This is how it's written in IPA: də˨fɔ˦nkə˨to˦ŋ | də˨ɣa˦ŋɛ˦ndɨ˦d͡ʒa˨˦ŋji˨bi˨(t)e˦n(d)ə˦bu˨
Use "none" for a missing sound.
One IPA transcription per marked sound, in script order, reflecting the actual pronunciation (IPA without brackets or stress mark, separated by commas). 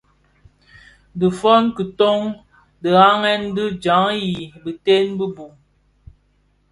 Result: t, b